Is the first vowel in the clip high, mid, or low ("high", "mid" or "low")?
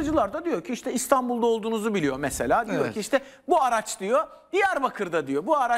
high